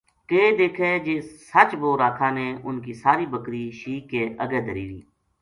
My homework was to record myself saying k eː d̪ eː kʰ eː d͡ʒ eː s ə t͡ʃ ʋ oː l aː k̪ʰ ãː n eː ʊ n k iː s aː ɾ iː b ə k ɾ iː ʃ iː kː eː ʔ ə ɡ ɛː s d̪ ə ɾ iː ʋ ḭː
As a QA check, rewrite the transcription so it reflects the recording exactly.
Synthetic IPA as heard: k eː d̪ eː kʰ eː d͡ʒ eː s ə t͡ʃ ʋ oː ɾ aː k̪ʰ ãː n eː ʊ n k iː s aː ɾ iː b ə k ɾ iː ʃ iː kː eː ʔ ə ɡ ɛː d̪ ə ɾ iː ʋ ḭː